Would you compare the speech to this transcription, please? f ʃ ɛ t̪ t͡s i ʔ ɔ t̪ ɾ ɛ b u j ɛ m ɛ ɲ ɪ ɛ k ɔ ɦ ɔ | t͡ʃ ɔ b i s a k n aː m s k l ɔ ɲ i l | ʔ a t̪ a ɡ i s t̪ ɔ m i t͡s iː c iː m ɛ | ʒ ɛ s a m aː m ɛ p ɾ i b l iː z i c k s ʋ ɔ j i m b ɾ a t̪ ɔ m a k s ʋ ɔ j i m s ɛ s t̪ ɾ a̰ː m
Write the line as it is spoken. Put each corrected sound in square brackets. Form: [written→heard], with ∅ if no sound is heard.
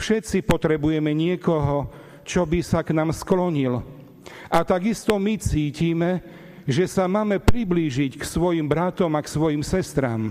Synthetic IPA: f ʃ ɛ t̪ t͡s i [ʔ→p] ɔ t̪ ɾ ɛ b u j ɛ m ɛ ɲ ɪ ɛ k ɔ ɦ ɔ | t͡ʃ ɔ b i s a k n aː m s k l ɔ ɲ i l | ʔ a t̪ a ɡ i s t̪ ɔ m i t͡s iː c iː m ɛ | ʒ ɛ s a m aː m ɛ p ɾ i b l iː [z→ʒ] i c k s ʋ ɔ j i m b ɾ a t̪ ɔ m a k s ʋ ɔ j i m s ɛ s t̪ ɾ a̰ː m